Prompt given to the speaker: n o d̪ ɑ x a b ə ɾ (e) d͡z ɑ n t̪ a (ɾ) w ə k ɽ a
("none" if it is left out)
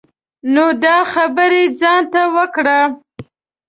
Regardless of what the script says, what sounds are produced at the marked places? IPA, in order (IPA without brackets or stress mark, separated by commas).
e, none